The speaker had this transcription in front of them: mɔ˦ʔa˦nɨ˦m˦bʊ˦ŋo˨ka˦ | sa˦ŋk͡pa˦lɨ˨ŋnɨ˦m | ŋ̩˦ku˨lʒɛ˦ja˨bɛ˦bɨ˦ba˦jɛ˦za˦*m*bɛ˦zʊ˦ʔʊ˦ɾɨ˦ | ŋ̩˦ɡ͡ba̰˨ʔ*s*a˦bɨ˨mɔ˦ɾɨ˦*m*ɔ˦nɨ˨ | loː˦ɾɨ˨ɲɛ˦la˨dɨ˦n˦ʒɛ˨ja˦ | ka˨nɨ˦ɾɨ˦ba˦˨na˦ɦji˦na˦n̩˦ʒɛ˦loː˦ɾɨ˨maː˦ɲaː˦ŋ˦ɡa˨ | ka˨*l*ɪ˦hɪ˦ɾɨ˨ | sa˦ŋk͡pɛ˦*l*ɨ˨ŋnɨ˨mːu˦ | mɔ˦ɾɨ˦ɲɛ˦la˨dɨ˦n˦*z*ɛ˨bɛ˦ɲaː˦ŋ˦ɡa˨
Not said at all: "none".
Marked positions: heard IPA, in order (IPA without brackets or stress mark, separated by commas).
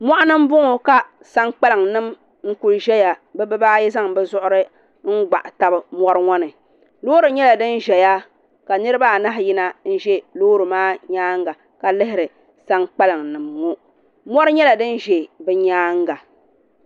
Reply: ŋ, t, ŋ, l, l, ʒ